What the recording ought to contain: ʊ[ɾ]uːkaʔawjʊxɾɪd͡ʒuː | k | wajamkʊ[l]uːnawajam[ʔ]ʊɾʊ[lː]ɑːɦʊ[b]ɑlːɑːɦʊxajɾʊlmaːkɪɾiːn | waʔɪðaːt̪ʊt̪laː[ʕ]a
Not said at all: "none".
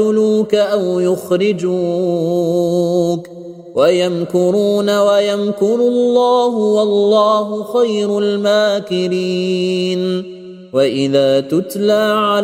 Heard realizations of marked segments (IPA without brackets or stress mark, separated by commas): l, ɾ, k, lː, w, ʕ